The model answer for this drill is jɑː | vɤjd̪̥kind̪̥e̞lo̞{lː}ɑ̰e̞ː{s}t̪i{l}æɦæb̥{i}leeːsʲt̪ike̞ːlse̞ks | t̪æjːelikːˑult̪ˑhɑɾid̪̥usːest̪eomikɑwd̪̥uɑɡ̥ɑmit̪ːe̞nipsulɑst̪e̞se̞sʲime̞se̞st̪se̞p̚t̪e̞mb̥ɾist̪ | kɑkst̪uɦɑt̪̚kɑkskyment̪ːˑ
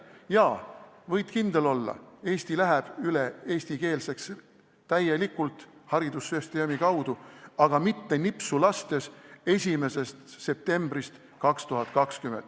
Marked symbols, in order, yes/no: yes, yes, yes, no

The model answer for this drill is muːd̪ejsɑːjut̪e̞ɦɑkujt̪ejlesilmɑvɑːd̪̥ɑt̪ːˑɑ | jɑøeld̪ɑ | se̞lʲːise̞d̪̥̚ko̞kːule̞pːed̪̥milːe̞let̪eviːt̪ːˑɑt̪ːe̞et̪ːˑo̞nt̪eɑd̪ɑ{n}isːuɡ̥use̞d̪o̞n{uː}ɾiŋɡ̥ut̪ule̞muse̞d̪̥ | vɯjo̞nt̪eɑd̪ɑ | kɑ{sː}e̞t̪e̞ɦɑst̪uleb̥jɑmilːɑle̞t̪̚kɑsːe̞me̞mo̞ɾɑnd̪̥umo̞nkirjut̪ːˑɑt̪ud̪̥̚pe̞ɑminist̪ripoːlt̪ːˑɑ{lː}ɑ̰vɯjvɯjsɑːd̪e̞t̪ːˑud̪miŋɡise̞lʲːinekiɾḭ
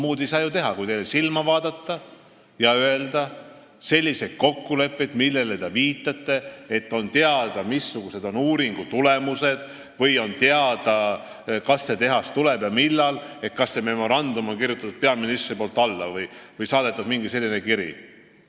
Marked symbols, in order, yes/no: no, yes, yes, yes

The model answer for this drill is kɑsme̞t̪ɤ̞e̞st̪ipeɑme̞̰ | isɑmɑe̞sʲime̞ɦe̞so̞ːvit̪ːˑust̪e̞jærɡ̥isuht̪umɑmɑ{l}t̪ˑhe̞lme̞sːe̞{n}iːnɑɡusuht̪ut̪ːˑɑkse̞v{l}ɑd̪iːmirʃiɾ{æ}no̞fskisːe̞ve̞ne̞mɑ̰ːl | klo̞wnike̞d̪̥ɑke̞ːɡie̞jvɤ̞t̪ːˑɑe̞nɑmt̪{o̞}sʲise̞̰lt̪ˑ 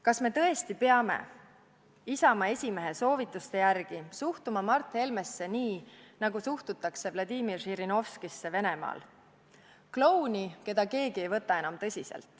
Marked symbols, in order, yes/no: no, yes, yes, no, no

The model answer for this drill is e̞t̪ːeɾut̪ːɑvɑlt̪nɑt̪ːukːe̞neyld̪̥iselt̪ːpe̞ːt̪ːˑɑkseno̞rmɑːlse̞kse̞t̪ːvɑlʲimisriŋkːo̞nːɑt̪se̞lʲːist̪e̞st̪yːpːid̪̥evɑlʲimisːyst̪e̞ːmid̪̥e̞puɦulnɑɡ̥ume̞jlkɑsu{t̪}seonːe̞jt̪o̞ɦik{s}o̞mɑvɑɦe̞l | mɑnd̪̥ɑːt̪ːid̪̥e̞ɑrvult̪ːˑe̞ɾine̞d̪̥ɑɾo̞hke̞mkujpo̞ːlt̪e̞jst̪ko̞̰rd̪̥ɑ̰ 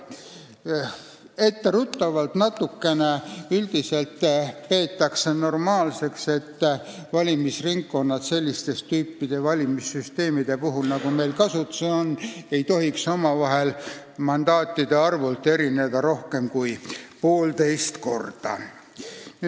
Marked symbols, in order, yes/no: yes, yes

